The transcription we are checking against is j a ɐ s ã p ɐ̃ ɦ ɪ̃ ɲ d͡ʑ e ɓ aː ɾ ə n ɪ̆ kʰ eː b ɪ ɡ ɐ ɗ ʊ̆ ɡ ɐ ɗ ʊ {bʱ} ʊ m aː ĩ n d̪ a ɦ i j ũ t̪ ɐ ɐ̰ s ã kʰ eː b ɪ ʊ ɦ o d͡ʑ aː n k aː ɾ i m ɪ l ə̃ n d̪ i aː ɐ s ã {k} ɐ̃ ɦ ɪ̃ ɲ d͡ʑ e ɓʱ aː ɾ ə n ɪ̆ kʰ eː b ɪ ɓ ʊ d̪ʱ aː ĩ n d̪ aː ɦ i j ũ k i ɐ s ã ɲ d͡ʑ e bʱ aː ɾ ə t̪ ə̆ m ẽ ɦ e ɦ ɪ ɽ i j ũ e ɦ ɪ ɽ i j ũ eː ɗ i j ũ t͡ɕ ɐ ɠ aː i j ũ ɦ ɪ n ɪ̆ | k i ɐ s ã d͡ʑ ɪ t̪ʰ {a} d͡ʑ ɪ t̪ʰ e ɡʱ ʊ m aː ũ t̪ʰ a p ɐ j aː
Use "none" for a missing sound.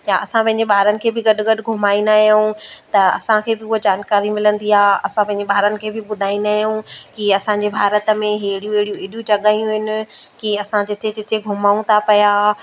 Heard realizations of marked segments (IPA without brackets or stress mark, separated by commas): ɡʱ, p, e